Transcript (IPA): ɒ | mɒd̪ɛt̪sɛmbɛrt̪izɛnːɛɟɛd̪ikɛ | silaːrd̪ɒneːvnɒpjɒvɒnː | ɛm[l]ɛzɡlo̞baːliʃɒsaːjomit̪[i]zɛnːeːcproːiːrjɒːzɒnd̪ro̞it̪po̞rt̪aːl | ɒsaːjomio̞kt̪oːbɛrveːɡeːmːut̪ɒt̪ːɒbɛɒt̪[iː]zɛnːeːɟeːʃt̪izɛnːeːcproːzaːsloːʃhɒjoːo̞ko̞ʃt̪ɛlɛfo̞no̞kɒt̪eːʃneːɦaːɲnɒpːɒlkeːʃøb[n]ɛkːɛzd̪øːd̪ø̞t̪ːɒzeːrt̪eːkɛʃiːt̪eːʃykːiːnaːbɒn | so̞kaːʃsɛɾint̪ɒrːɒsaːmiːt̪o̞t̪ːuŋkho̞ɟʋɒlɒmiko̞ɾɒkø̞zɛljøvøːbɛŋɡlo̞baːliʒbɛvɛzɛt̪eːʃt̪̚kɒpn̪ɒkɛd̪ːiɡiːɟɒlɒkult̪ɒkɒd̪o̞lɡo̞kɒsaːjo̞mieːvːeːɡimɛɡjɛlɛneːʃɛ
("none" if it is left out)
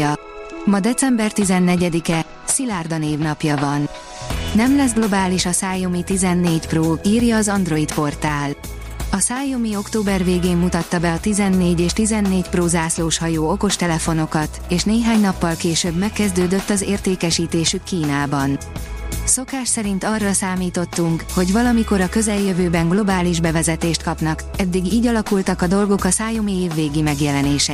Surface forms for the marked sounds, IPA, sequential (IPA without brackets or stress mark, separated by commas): l, i, i, m